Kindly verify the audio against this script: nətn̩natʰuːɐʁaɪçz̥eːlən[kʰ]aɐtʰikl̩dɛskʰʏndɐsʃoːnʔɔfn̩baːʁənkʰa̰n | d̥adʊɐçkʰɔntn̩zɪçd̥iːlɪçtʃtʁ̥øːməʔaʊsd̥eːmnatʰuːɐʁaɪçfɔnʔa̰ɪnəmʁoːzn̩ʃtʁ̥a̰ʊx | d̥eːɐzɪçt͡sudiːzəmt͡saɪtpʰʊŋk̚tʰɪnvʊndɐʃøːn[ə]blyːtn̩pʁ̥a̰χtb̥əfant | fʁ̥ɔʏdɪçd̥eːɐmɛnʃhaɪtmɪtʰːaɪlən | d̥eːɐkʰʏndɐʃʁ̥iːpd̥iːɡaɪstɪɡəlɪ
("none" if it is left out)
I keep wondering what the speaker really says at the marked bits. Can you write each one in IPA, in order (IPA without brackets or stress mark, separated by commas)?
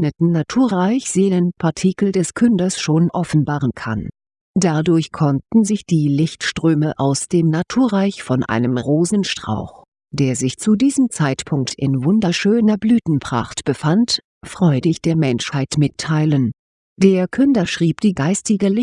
pʰ, ɐ